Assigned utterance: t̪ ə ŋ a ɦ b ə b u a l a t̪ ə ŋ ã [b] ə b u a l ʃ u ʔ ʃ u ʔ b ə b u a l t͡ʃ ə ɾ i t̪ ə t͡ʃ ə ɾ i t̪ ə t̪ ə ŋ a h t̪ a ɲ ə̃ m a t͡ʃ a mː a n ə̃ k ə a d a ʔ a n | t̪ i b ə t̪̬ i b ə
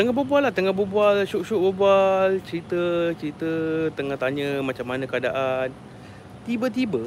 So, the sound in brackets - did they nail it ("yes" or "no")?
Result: yes